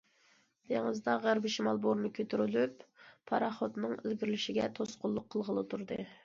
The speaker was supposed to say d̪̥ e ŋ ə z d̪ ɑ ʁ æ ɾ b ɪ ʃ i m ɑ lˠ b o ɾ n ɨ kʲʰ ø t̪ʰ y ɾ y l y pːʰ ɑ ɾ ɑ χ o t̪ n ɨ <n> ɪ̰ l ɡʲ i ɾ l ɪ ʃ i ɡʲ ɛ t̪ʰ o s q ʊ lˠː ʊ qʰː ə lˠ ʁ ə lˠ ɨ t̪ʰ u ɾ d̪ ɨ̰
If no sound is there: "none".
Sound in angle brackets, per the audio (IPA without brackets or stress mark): ŋ